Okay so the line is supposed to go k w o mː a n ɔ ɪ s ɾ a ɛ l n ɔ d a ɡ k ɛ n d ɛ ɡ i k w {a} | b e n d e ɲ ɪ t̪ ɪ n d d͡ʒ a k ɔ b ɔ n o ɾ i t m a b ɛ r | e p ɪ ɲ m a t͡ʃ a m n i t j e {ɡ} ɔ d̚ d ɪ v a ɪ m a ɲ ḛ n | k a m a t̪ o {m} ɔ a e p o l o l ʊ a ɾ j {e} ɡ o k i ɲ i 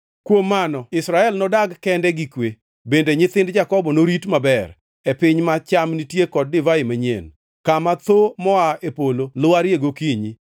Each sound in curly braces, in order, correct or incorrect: incorrect: e, incorrect: k, correct, correct

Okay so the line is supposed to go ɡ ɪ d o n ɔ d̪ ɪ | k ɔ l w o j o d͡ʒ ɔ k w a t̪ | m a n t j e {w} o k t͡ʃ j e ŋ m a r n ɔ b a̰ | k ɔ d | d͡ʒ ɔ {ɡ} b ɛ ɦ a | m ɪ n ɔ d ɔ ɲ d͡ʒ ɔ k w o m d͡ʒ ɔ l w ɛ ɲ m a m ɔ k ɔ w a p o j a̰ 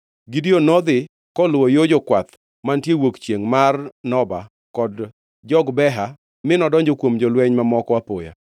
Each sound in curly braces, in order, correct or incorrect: correct, correct

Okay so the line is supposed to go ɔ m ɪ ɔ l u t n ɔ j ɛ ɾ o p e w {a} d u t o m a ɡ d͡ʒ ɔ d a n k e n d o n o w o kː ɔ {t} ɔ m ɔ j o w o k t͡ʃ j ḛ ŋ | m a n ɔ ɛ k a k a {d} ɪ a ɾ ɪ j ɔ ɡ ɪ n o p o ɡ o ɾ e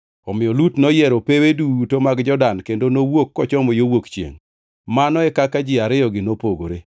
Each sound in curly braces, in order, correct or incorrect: incorrect: e, incorrect: t͡ʃ, incorrect: d͡ʒ

